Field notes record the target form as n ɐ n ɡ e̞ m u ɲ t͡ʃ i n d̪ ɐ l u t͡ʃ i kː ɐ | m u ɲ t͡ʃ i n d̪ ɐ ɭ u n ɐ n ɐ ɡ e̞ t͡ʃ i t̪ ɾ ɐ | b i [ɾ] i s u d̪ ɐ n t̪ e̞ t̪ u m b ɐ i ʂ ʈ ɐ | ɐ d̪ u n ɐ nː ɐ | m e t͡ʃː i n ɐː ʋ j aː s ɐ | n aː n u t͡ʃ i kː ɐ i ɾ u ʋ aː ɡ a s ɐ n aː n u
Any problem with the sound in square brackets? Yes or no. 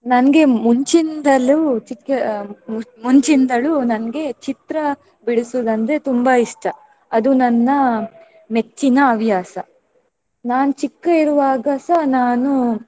yes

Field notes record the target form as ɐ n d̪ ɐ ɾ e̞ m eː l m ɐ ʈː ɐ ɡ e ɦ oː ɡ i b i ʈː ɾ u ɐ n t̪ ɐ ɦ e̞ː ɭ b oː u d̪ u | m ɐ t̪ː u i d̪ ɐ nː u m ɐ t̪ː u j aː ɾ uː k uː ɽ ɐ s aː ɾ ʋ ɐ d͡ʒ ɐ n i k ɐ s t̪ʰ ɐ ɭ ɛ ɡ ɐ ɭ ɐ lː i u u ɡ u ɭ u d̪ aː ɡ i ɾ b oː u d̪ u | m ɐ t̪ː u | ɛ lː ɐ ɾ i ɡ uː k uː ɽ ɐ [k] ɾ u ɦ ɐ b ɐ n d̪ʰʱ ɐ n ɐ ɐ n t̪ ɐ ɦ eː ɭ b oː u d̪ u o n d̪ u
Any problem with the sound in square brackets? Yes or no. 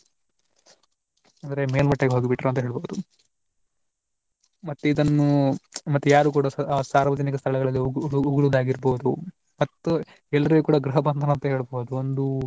yes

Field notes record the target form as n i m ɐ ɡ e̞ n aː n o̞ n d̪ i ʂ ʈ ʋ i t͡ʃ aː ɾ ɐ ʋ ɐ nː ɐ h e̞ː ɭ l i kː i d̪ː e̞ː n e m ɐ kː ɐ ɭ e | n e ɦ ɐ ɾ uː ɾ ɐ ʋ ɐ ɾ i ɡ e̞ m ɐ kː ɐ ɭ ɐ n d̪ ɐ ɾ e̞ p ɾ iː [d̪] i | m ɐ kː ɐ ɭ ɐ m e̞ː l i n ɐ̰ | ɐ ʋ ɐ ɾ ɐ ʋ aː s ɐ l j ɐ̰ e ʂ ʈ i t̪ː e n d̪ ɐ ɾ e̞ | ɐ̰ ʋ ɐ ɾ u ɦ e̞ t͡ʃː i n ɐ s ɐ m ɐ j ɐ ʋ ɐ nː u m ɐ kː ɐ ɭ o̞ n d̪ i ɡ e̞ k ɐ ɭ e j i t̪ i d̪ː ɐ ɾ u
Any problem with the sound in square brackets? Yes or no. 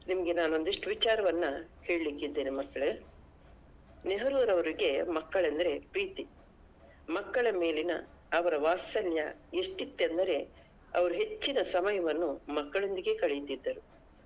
yes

